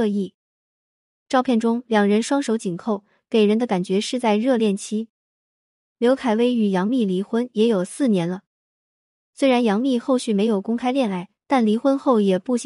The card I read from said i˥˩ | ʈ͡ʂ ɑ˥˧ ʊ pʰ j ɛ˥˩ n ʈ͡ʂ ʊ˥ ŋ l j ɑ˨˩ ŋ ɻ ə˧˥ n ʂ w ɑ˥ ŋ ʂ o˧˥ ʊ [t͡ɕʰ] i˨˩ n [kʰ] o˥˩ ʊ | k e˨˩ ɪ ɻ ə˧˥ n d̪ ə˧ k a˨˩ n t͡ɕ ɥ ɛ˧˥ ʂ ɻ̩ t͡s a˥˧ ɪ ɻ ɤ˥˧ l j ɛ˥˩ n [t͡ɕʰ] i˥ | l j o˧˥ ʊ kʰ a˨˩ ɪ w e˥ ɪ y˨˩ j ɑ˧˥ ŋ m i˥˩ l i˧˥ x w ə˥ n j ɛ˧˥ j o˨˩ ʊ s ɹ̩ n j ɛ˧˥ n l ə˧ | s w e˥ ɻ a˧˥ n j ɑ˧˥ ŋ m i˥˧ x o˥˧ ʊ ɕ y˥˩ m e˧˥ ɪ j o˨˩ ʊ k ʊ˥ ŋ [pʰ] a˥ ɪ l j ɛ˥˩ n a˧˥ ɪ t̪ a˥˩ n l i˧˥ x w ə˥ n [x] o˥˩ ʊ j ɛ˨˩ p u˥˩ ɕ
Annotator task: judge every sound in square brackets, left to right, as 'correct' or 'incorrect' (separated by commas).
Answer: incorrect, correct, correct, incorrect, correct